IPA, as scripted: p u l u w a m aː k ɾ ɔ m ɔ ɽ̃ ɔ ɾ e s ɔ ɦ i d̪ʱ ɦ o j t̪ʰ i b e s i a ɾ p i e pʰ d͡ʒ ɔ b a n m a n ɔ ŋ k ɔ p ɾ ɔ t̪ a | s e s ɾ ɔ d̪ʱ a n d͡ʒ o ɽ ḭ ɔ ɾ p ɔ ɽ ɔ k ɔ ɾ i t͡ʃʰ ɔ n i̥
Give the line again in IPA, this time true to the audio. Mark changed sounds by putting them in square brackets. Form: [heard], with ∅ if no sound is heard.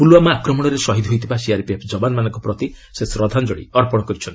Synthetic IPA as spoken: p u l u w a m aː k ɾ ɔ m ɔ ɽ̃ ɔ ɾ e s ɔ ɦ i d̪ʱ ɦ o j t̪ʰ i b [a] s i a ɾ p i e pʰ d͡ʒ ɔ b a n m a n ɔ ŋ k ɔ p ɾ ɔ t̪ [i] | s e s ɾ ɔ d̪ʱ a n d͡ʒ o ɽ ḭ ɔ ɾ p ɔ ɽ ɔ k ɔ ɾ i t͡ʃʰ ɔ n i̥